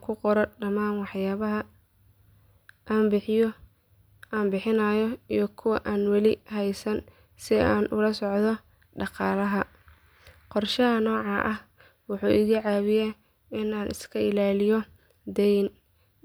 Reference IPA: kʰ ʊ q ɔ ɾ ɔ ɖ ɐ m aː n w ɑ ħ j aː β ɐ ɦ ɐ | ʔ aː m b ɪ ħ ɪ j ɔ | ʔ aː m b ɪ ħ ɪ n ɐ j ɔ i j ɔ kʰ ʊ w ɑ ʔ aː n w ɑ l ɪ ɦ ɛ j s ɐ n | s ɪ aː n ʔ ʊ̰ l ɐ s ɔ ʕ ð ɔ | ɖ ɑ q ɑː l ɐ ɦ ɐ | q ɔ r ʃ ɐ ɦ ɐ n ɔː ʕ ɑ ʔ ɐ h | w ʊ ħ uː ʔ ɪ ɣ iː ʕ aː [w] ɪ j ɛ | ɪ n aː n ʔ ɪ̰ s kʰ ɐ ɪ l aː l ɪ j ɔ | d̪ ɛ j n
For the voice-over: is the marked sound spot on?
no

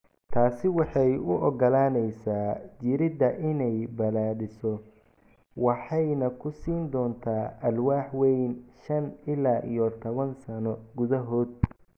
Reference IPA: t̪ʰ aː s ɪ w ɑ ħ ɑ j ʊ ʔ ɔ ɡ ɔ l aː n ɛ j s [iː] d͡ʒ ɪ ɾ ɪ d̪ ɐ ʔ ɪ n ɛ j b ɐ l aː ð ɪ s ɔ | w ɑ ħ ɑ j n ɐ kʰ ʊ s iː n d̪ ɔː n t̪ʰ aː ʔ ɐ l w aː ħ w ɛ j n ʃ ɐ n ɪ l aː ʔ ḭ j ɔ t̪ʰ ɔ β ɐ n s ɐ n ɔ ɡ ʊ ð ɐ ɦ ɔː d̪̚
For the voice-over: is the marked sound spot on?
no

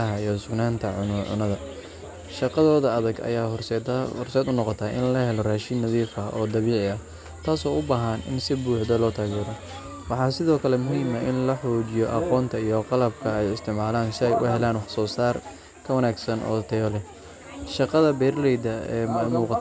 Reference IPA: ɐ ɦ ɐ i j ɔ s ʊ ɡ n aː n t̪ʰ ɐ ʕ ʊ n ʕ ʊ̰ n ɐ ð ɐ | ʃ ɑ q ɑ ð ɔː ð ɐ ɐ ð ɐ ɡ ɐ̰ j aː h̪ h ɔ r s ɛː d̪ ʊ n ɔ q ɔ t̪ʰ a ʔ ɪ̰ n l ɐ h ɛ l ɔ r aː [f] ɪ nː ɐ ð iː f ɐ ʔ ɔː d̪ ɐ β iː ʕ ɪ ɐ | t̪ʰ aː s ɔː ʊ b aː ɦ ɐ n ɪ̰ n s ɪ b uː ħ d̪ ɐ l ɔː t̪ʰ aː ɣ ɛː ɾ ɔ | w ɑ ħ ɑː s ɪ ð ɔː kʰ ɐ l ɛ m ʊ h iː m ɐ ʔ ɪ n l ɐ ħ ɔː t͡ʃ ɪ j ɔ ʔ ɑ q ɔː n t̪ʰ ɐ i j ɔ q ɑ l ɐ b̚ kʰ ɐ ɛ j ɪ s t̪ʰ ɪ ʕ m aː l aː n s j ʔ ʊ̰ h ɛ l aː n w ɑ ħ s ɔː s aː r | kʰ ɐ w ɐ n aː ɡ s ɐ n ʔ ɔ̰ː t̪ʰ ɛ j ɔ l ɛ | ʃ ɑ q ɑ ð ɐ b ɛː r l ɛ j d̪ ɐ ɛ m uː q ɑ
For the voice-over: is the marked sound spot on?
no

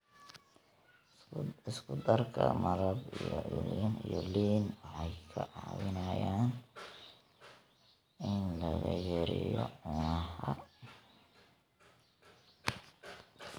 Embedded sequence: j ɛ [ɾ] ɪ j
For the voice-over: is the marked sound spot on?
yes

